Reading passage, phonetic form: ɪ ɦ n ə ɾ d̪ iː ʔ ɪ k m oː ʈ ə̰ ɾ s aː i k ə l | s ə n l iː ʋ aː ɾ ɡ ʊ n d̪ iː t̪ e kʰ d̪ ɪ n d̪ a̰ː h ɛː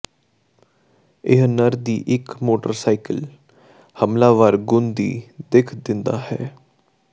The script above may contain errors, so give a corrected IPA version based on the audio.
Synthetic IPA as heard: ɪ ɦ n ə ɾ d̪ iː ʔ ɪ k m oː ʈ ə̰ ɾ s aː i k ə l | h ə m l aː ʋ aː ɾ ɡ ʊ n d̪ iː d̪ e kʰ d̪ ɪ n d̪ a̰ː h ɛː